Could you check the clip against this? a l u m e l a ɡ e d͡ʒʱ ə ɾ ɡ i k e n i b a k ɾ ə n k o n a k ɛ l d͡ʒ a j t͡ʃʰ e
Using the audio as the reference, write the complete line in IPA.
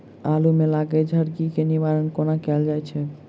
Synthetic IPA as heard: a l u m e l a ɡ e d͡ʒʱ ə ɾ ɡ i k e n i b a ɾ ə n k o n a k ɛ l d͡ʒ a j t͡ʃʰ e